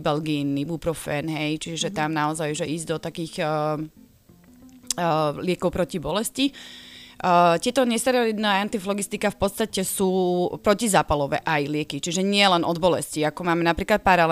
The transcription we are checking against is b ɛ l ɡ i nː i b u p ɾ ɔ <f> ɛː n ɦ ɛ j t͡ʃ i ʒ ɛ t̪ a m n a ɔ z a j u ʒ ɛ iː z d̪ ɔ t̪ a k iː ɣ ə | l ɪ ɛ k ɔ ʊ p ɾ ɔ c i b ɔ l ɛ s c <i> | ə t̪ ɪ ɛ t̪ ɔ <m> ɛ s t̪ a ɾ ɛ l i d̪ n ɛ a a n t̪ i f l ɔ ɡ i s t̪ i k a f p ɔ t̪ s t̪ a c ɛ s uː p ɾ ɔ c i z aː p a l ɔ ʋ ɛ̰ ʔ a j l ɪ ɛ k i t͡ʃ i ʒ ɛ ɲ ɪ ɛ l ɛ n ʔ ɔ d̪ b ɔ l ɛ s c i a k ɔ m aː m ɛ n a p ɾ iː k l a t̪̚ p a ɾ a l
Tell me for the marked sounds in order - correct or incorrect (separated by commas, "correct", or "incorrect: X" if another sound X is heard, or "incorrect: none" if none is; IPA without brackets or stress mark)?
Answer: correct, correct, incorrect: ɲ